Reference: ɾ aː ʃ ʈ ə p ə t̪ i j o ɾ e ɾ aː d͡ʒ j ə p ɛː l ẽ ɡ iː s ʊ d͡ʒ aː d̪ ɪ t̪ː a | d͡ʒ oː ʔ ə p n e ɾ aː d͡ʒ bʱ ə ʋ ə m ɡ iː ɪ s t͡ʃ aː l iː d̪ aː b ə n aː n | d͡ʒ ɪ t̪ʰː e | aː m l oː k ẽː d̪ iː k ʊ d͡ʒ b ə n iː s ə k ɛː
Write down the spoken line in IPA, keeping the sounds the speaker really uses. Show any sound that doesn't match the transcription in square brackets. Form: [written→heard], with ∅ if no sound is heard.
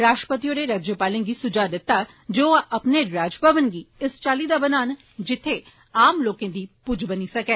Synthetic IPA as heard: ɾ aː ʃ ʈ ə p ə t̪ i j o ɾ e ɾ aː d͡ʒ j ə p [ɛː→aː] l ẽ ɡ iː s ʊ d͡ʒ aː d̪ ɪ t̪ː a | d͡ʒ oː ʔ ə p n e ɾ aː d͡ʒ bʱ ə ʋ ə [m→n] ɡ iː ɪ s t͡ʃ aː l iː d̪ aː b ə n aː n | d͡ʒ ɪ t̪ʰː e | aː m l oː k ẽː d̪ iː [k→p] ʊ d͡ʒ b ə n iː s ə k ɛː